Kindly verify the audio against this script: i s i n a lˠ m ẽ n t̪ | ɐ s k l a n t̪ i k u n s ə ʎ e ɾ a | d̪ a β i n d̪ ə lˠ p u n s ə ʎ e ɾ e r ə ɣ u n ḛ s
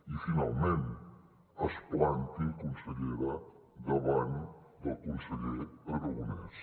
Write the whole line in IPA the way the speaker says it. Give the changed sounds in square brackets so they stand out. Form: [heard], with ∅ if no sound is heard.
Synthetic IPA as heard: i [f] i n a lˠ m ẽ n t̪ | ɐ s [p] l a n t̪ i k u n s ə ʎ e ɾ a | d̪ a β [a] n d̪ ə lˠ [k] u n s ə ʎ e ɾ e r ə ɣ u n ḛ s